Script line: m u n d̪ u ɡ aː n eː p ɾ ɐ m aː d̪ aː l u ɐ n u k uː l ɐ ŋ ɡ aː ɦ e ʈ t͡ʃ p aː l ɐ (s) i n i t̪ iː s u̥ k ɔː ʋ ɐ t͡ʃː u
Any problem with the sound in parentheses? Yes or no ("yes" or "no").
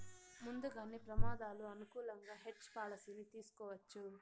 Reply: no